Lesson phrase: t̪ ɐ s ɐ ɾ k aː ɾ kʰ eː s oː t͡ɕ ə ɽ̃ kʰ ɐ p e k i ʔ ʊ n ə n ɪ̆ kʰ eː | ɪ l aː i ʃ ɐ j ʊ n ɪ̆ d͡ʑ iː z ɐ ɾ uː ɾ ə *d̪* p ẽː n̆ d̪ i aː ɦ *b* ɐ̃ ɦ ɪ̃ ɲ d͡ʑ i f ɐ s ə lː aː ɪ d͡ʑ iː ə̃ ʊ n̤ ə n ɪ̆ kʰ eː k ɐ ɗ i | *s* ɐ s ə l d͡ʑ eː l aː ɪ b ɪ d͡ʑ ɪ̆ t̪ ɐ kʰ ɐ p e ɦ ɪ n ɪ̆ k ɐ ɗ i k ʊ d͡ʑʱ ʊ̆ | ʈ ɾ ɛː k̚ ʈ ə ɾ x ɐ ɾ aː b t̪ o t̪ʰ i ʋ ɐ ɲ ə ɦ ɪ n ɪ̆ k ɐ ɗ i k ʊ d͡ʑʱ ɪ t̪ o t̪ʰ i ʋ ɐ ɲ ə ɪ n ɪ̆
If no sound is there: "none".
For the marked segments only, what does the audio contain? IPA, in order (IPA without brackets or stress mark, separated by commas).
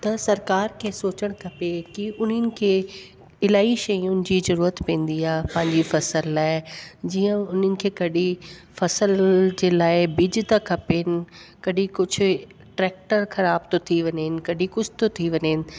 t̪, p, f